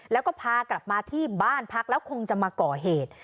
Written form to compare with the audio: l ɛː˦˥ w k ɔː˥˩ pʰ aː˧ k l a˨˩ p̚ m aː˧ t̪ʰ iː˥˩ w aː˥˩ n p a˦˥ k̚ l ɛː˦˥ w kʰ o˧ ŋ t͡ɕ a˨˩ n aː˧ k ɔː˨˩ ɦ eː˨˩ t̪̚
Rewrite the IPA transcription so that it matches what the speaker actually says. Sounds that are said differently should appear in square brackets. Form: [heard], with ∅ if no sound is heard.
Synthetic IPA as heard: l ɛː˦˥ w k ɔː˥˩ pʰ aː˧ k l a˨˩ p̚ m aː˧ t̪ʰ iː˥˩ [b] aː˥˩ n [pʰ] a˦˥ k̚ l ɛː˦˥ w kʰ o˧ ŋ t͡ɕ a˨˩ [m] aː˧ k ɔː˨˩ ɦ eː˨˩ t̪̚